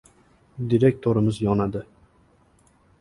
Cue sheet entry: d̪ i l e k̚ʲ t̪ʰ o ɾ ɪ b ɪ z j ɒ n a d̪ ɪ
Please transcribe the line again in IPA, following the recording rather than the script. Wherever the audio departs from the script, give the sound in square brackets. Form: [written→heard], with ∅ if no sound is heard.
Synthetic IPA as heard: d̪ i [l→ɾ] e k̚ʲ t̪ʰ o ɾ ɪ [b→m] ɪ z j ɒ n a d̪ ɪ